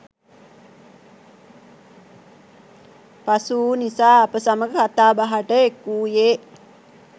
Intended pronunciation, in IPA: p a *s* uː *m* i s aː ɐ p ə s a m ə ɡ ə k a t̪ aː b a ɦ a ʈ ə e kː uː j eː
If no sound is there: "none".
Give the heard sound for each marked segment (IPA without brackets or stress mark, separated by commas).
s, n